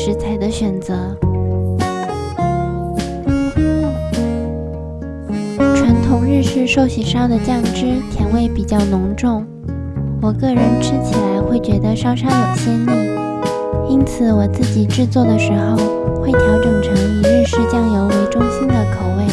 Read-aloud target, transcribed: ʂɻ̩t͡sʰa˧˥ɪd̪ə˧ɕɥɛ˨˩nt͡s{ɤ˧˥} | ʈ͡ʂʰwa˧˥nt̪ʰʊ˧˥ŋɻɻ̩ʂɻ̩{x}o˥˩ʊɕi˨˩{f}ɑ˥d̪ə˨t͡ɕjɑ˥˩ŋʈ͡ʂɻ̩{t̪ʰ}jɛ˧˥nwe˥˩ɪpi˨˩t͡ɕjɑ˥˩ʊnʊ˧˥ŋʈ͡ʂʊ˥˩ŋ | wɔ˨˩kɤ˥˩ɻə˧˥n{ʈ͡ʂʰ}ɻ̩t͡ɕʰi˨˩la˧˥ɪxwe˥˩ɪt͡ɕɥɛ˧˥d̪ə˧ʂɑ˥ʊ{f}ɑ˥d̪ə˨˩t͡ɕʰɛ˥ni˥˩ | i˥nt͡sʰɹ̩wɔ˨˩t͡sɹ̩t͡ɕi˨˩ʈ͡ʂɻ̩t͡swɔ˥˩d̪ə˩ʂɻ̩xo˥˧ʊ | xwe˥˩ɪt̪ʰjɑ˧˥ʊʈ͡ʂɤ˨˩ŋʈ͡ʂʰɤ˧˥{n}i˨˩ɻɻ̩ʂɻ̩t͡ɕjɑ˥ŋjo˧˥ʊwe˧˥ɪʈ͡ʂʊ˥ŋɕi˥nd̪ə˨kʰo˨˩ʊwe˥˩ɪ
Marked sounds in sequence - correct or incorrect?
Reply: correct, incorrect, incorrect, correct, correct, incorrect, incorrect

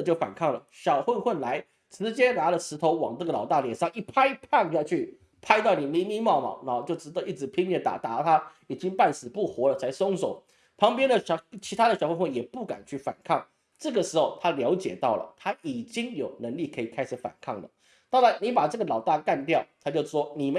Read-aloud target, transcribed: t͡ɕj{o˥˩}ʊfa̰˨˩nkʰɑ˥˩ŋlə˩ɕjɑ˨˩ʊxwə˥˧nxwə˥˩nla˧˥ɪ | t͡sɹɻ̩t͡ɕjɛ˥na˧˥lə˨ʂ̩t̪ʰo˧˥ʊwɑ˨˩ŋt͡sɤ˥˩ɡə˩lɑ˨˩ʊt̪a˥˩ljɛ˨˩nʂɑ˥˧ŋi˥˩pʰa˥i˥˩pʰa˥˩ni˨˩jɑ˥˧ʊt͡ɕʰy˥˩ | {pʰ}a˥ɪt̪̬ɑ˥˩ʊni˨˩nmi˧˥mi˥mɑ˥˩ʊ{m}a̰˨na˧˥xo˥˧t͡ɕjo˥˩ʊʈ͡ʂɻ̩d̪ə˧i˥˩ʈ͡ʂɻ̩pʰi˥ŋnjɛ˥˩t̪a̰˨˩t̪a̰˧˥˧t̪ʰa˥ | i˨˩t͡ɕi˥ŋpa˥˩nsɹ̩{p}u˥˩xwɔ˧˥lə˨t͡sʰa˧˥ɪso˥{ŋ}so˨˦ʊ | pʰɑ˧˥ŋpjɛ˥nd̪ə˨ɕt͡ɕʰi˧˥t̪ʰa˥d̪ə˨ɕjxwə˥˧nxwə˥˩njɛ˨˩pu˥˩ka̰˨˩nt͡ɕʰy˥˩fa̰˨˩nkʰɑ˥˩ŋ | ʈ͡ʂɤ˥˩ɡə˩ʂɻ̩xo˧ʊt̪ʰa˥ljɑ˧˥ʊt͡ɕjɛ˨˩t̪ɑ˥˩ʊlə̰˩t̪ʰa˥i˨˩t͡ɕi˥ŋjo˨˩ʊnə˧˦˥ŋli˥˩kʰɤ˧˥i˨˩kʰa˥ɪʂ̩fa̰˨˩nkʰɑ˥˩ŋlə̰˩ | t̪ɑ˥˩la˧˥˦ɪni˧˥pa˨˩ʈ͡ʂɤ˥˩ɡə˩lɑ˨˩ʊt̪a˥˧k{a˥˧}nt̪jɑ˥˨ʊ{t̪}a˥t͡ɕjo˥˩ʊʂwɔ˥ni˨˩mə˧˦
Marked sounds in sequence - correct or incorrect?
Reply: correct, correct, correct, correct, correct, correct, incorrect

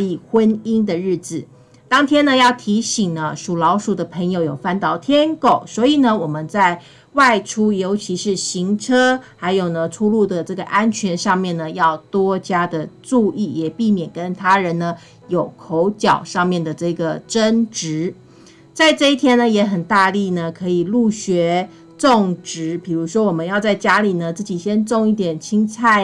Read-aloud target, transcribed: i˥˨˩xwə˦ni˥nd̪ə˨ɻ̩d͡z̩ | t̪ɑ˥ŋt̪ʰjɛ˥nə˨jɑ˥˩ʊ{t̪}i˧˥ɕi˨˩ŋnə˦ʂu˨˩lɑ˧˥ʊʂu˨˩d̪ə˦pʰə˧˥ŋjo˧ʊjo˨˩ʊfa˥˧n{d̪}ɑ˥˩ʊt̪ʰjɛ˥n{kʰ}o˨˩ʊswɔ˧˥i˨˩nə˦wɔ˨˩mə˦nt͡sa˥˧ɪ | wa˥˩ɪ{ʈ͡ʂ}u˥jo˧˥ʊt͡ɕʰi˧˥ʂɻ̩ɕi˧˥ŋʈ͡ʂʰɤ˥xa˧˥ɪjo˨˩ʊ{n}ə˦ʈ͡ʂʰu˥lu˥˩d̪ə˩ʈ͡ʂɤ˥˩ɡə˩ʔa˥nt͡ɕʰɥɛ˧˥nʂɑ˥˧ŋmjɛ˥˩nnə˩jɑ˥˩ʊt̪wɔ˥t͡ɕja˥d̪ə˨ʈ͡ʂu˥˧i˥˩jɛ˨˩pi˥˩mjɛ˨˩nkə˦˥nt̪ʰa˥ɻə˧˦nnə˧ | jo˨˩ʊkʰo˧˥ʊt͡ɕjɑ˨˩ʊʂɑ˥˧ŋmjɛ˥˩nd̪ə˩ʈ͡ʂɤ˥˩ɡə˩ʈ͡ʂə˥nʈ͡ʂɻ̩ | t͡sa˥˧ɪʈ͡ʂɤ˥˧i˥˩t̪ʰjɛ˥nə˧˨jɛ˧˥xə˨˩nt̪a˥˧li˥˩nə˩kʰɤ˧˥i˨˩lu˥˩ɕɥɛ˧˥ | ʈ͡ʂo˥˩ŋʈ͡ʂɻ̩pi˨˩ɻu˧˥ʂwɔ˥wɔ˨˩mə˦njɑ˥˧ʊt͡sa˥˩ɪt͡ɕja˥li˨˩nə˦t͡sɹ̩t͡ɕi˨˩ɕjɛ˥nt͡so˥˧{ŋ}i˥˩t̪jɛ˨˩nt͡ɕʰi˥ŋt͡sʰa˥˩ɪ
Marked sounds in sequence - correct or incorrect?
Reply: incorrect, incorrect, incorrect, incorrect, correct, correct

